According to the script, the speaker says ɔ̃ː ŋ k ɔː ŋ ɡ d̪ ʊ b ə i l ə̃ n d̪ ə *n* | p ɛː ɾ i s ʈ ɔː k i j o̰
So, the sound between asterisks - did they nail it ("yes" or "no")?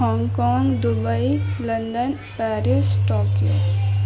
yes